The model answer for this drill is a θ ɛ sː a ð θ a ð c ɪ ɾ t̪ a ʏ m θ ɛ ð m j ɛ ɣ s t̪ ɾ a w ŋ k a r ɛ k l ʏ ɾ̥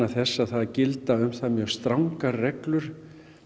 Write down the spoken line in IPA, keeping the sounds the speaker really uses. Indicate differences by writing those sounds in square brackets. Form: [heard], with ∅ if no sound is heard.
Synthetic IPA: a θ ɛ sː a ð θ a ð c ɪ [l] t̪ a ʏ m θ [a] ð m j [œ] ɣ s t̪ ɾ a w ŋ k a r ɛ k l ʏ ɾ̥